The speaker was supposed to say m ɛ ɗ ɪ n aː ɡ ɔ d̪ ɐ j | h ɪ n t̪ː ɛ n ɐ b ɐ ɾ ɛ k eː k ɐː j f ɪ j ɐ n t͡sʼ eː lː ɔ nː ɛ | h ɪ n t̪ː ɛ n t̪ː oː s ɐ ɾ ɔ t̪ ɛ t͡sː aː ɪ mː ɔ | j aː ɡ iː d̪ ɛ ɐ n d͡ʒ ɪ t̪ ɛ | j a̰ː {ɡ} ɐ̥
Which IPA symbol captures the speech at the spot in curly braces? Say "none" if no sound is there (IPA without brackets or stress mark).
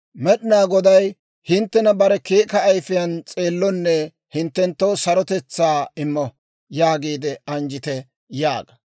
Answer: ɡ